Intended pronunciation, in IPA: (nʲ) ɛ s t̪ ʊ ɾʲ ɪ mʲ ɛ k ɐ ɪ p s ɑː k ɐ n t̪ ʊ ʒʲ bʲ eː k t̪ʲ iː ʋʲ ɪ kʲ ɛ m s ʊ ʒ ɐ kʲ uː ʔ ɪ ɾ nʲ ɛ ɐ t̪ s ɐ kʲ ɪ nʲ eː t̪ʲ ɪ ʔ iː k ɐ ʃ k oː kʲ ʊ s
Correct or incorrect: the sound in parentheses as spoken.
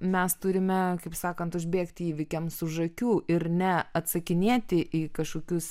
incorrect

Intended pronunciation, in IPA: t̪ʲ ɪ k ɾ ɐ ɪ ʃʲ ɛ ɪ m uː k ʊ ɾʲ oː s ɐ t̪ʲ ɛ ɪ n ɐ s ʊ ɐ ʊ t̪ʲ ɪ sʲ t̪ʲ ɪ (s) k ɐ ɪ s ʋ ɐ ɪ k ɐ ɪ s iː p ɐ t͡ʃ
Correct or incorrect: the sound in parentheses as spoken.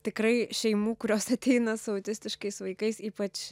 incorrect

